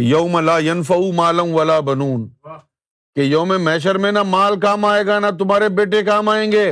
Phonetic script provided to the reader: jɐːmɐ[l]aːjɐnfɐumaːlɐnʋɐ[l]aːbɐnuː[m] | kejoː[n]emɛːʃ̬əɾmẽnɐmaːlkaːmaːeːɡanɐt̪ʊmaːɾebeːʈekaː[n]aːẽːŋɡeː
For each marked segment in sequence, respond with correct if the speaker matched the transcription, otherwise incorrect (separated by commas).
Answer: correct, correct, incorrect, incorrect, incorrect